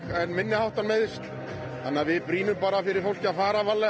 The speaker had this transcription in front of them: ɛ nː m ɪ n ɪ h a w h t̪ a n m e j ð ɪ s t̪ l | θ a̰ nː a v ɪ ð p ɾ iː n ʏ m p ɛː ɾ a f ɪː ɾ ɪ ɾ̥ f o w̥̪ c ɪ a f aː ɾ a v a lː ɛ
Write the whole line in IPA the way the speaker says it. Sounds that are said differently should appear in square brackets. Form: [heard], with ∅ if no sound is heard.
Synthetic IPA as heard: ɛ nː m ɪ [nː] ɪ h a w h t̪ a n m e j ð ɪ s t̪ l | θ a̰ nː a v ɪ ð p ɾ iː n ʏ m p [aː] ɾ a f [ɪ] ɾ ɪ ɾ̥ f o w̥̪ c ɪ a f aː ɾ a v a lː ɛ